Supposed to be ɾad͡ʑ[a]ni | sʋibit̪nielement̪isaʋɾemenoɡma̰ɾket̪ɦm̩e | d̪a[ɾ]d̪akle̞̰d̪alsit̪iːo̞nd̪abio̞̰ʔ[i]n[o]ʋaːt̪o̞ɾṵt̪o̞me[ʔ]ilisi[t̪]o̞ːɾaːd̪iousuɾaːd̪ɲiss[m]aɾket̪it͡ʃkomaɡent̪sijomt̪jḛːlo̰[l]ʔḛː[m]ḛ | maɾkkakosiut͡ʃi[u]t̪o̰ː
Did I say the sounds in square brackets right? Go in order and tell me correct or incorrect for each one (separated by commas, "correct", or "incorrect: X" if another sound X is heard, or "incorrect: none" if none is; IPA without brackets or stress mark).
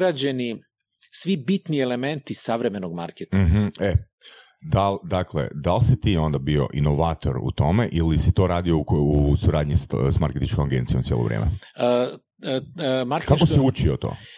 incorrect: e, incorrect: l, correct, correct, correct, correct, correct, incorrect: ɾ, correct, incorrect: o